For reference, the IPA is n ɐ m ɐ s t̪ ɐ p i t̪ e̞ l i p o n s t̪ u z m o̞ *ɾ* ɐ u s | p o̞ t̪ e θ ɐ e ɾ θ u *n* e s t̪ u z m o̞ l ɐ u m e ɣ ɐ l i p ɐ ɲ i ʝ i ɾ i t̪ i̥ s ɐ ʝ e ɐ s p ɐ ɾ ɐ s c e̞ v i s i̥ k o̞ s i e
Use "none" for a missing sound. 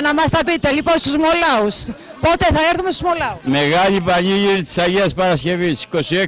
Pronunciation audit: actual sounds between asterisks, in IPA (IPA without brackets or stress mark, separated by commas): l, m